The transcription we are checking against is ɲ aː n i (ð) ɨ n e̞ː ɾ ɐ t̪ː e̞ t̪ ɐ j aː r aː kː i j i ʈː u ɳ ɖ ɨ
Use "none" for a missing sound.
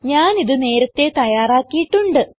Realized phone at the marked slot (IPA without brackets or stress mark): ð